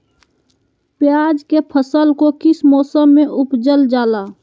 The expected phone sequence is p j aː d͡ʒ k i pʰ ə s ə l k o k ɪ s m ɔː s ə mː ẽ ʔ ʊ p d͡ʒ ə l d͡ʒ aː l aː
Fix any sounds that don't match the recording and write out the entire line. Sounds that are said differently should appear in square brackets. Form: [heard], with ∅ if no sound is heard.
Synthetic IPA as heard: p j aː d͡ʒ k [e] pʰ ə s ə l k o k ɪ s m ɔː s ə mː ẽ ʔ ʊ p d͡ʒ ə l d͡ʒ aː l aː